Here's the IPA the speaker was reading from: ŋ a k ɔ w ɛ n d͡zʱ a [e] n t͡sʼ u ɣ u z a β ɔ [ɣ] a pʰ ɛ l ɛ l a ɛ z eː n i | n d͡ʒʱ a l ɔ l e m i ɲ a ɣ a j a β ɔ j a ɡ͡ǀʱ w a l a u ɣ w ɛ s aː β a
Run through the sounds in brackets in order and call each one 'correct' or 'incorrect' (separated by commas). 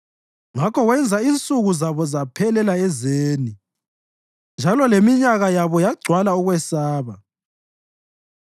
incorrect, incorrect